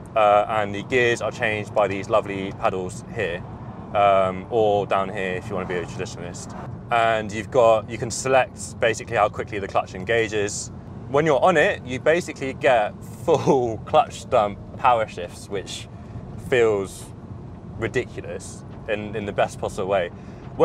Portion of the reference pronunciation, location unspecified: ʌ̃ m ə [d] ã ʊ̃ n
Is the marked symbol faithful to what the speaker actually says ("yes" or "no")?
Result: yes